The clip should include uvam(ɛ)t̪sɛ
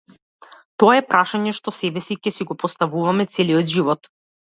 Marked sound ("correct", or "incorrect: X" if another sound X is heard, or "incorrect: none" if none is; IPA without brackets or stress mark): correct